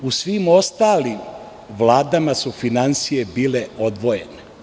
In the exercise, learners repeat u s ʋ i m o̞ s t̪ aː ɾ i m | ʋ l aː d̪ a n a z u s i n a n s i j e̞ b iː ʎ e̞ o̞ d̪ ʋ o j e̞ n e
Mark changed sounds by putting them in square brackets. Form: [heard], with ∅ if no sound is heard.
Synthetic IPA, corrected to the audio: u s ʋ i m o̞ s t̪ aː [l] i m | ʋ l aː d̪ a [m] a [s] u [f] i n a n s i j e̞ b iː [l] e̞ o̞ d̪ ʋ o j e̞ n e